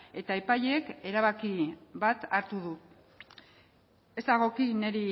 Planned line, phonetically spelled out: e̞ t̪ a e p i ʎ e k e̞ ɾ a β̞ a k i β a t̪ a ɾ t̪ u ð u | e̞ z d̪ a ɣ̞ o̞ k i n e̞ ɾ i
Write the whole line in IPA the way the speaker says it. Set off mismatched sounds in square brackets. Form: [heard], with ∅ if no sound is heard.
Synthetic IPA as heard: e̞ t̪ a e p [a] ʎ e k e̞ ɾ a β̞ a k i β a t̪ a ɾ t̪ u ð u | e̞ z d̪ a ɣ̞ o̞ k i n e̞ ɾ i